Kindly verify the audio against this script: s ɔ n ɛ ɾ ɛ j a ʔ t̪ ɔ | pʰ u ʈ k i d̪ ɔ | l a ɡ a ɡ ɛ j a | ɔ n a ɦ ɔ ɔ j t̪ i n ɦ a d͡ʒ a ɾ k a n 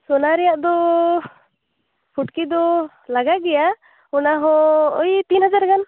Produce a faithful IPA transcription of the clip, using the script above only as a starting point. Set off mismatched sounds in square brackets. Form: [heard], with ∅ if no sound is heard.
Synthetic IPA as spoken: s ɔ n [a] ɾ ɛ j a ʔ [d̪] ɔ | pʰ u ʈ k i d̪ ɔ | l a ɡ a ɡ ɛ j a | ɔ n a ɦ ɔ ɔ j t̪ i n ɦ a d͡ʒ a ɾ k a n